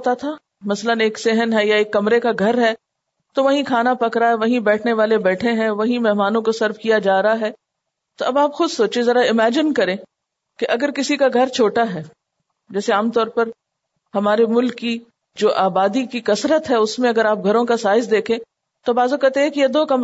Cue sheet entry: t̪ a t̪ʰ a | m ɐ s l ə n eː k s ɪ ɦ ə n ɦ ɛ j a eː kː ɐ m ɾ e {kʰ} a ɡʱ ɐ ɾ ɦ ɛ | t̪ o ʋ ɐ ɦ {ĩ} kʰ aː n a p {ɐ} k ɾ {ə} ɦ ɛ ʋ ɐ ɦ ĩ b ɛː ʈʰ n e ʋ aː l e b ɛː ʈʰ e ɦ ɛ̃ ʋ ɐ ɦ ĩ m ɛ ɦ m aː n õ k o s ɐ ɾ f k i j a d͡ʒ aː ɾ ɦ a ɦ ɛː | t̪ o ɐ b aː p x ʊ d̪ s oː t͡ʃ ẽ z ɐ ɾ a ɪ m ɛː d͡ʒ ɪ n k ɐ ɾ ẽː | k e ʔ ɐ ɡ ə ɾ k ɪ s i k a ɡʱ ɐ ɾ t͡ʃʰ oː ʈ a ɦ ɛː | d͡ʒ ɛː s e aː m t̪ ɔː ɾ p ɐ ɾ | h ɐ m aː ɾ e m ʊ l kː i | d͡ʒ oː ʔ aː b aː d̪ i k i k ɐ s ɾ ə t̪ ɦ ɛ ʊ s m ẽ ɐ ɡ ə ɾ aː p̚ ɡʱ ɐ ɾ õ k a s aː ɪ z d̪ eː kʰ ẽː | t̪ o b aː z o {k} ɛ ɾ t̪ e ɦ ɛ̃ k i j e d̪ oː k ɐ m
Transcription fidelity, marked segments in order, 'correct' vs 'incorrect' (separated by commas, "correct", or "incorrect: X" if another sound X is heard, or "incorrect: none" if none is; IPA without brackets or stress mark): incorrect: k, correct, correct, incorrect: a, correct